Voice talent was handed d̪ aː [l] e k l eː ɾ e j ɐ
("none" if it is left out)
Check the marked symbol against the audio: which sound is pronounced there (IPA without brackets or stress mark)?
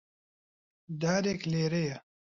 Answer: ɾ